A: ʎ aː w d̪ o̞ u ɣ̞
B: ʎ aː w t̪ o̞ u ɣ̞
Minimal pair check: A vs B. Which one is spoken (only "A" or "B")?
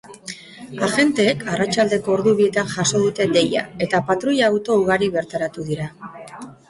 B